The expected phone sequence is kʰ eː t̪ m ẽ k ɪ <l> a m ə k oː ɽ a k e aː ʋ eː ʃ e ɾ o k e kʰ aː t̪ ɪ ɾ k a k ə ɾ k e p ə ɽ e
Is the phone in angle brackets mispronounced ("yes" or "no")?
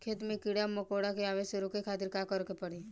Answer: yes